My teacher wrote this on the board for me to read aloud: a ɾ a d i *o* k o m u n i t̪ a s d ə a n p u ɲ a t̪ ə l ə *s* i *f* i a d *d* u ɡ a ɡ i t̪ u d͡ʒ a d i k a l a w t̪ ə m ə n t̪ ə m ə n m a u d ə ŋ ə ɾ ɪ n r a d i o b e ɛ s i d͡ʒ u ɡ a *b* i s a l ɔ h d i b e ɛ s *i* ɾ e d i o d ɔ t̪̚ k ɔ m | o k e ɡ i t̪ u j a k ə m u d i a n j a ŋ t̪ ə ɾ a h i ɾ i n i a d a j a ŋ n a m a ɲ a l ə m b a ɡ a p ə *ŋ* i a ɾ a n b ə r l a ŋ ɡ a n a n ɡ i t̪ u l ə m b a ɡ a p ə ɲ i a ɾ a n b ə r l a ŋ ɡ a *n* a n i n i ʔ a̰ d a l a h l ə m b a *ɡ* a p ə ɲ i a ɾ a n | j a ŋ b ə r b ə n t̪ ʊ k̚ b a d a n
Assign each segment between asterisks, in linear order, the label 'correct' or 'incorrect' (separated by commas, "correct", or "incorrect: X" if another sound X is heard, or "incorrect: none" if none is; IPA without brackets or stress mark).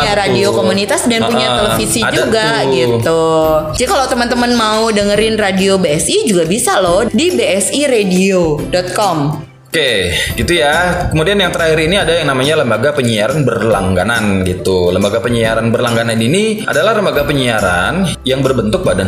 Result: correct, incorrect: f, incorrect: s, incorrect: d͡ʒ, correct, correct, incorrect: ɲ, correct, correct